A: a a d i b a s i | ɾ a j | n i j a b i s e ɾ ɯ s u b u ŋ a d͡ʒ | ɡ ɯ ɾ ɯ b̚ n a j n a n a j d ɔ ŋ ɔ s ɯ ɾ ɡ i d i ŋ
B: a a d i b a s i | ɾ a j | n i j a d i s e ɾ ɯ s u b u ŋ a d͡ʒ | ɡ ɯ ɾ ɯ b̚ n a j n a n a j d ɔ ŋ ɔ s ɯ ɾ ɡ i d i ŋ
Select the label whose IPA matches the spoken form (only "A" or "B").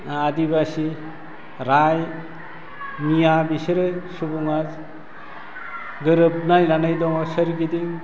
A